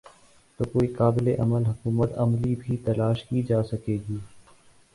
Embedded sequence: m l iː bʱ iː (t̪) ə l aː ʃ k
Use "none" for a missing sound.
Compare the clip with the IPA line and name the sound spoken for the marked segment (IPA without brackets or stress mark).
t̪